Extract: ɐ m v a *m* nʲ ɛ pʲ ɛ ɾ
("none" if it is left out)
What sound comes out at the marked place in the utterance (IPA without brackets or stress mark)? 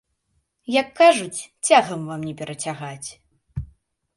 m